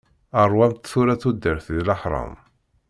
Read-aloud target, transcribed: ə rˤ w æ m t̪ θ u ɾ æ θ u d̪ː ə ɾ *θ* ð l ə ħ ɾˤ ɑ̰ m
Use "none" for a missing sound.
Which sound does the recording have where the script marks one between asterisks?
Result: θ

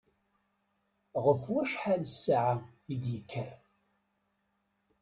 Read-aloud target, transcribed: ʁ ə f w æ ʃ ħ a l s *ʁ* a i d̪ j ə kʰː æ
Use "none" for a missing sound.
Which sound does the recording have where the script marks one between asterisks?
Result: ʕ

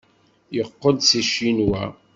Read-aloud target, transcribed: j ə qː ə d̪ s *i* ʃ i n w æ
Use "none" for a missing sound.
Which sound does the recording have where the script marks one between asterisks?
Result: i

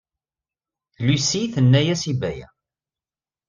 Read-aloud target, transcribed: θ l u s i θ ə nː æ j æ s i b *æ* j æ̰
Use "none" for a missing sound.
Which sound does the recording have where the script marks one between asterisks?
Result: æ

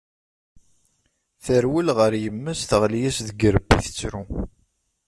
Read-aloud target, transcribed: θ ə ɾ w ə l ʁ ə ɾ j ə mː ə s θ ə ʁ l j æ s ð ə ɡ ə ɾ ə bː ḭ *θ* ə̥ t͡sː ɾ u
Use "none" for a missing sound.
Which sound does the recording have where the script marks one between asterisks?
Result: θ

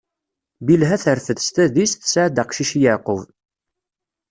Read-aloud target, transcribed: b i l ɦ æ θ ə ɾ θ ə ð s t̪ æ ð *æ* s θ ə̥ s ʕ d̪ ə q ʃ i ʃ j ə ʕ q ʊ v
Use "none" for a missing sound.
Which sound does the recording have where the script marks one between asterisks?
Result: i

